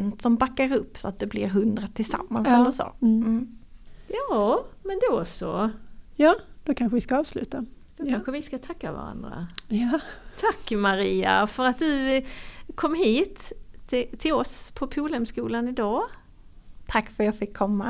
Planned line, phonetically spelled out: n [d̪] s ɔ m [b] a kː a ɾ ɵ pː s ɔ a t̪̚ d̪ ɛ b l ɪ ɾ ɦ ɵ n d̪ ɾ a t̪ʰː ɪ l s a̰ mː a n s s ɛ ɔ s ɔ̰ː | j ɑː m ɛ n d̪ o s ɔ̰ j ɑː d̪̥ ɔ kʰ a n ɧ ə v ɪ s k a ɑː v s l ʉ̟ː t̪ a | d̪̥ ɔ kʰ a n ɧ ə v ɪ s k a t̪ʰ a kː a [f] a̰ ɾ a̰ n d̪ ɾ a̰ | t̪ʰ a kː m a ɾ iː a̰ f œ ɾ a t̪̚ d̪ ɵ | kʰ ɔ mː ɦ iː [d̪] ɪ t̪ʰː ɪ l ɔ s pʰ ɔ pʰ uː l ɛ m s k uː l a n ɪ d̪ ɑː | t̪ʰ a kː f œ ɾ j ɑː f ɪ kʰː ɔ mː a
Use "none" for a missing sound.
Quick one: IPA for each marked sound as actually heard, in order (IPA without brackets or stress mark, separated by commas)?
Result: t̪, b, v, t̪